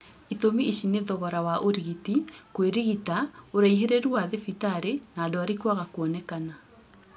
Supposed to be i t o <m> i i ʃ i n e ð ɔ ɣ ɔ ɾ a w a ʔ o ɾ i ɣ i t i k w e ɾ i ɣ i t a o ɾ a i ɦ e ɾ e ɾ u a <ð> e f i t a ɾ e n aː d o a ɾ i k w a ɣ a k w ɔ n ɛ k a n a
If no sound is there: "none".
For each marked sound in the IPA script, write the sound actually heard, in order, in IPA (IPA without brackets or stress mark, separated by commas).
m, ð